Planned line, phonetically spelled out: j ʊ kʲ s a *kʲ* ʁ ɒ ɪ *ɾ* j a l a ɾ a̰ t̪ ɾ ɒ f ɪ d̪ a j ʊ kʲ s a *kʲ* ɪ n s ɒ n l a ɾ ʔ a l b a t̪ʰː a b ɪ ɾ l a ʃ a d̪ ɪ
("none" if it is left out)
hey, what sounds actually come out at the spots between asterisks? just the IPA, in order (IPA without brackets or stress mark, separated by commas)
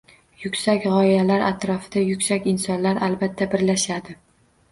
kʲ, none, kʲ